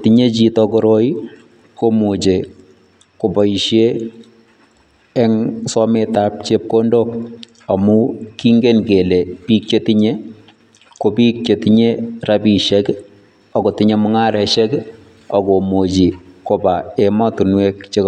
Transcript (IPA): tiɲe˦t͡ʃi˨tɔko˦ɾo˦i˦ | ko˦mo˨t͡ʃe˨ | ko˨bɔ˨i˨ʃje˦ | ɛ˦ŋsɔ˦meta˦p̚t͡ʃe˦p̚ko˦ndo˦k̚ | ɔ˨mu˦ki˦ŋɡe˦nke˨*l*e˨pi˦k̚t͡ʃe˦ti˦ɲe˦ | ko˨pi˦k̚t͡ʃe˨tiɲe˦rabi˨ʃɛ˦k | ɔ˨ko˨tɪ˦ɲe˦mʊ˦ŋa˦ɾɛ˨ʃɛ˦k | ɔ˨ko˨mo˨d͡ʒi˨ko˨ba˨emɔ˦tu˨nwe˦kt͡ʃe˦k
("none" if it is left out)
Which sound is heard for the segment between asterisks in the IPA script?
l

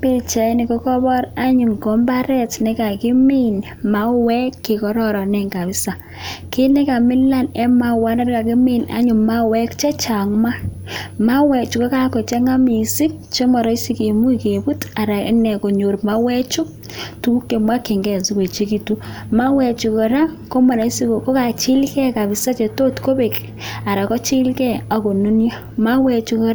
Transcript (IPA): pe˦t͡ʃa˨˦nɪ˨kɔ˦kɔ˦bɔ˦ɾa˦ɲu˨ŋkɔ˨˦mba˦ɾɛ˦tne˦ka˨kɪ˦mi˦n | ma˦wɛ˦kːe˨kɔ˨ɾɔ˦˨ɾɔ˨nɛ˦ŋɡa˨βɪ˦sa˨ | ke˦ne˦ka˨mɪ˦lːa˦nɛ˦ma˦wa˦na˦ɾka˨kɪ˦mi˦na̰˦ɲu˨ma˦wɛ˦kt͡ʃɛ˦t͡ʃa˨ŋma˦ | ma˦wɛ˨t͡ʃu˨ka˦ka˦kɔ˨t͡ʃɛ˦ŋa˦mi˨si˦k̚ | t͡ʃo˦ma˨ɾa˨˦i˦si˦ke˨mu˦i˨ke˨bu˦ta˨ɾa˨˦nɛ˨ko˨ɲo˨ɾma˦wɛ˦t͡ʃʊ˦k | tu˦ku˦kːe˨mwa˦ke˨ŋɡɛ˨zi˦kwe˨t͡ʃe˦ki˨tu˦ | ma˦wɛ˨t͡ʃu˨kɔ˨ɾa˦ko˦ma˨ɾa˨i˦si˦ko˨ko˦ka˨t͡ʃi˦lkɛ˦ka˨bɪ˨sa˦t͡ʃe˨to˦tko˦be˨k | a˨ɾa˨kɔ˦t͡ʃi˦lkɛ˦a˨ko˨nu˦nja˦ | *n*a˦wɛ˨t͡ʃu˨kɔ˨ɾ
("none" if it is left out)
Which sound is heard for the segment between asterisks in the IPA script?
m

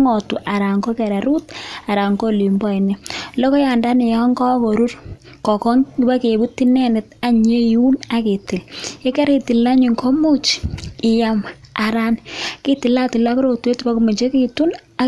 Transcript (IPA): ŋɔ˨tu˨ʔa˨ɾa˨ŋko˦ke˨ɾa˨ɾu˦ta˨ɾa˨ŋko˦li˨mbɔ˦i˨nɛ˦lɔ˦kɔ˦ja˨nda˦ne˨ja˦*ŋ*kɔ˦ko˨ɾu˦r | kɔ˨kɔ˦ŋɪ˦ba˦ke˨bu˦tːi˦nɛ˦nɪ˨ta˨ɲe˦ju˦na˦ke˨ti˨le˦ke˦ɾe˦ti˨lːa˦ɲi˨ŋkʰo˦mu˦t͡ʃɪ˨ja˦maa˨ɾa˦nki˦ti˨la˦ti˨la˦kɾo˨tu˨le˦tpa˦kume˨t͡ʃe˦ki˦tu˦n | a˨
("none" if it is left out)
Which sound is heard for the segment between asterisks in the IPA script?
ŋ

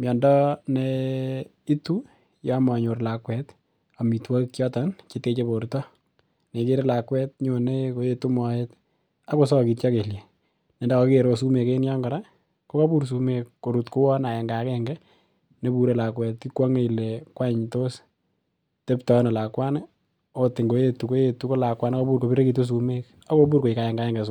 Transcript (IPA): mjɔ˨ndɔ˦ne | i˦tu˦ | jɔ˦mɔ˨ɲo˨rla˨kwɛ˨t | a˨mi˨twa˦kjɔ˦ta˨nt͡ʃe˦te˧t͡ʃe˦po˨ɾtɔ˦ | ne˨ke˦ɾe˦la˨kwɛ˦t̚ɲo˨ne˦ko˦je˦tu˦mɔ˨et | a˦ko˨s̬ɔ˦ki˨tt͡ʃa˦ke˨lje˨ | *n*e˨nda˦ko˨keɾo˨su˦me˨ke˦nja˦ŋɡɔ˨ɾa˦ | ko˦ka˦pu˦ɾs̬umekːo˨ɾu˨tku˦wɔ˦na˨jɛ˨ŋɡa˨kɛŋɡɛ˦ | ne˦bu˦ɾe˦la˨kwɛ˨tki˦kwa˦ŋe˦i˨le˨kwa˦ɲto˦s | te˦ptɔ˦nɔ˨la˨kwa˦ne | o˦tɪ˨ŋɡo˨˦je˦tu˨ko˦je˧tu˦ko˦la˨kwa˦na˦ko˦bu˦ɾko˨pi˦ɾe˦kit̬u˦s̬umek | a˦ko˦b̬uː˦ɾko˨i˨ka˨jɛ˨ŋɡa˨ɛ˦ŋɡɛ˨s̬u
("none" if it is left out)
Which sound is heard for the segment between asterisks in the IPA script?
n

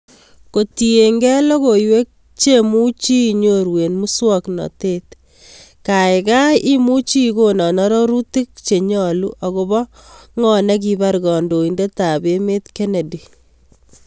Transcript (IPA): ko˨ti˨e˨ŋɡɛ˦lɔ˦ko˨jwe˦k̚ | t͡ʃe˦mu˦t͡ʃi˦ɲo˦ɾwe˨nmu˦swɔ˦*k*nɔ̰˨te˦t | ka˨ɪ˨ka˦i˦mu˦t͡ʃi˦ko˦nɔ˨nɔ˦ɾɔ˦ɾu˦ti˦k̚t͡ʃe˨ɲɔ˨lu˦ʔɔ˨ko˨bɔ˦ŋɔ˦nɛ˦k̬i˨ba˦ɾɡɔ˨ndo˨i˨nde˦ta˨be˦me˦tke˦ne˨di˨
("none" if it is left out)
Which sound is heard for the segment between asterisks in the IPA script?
k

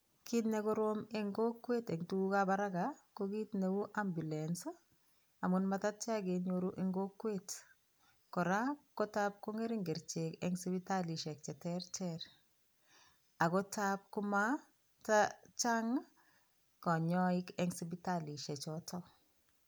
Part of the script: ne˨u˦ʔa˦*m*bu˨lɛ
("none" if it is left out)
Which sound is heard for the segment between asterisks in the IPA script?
m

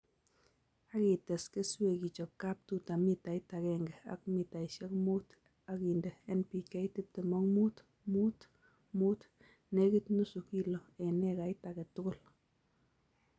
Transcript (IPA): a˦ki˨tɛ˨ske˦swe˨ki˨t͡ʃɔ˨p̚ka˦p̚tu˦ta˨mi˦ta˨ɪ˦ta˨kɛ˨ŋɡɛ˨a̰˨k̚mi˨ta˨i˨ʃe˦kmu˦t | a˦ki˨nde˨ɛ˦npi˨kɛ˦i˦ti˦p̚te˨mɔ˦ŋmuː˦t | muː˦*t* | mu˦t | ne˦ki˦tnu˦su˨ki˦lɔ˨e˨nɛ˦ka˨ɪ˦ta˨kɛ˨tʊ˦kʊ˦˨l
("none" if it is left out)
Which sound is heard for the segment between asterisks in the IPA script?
t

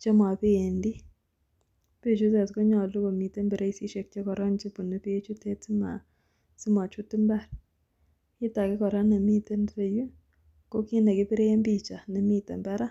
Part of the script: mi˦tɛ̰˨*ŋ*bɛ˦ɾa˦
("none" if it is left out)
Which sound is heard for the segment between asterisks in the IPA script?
m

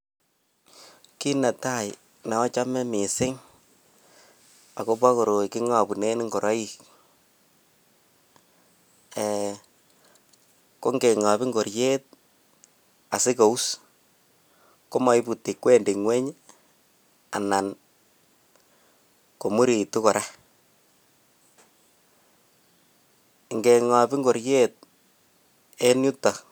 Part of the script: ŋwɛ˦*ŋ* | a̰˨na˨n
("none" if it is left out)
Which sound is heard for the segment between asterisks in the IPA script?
ɲ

